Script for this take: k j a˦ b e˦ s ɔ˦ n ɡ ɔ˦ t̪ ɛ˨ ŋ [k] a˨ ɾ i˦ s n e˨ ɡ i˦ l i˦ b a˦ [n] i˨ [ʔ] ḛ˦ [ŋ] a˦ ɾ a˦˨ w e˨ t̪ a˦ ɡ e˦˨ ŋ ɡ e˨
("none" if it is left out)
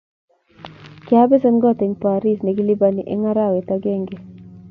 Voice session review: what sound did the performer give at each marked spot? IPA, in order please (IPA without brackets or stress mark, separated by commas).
p, n, ʔ, ŋ